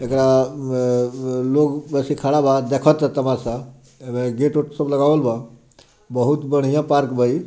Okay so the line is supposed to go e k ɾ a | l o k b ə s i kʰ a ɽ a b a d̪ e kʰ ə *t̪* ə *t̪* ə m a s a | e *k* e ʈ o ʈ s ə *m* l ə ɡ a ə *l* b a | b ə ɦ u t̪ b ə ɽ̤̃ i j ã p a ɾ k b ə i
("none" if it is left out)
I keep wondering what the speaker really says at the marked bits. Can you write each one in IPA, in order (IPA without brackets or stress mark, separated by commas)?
t̪, t̪, ɡ, b, l